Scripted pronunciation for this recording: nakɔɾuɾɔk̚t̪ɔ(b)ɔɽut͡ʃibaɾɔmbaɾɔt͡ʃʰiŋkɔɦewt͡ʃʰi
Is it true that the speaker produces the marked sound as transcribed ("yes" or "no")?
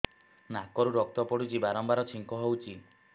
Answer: no